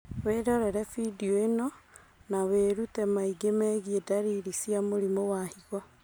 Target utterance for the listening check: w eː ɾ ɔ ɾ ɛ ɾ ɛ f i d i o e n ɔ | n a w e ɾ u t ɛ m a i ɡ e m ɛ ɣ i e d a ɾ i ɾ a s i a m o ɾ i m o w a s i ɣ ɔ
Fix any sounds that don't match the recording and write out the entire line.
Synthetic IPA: w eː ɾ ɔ ɾ ɛ ɾ ɛ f i d i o e n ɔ | n a w e ɾ u t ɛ m a i ɡ e m ɛ ɣ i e d a ɾ i ɾ i s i a m o ɾ i m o w a h i ɣ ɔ